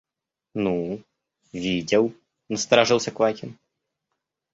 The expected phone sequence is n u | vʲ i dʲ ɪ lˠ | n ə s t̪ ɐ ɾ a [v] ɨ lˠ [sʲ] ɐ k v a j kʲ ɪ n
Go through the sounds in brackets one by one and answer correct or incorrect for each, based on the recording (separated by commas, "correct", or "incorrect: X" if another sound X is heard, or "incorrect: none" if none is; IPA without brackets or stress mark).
incorrect: ʐ, correct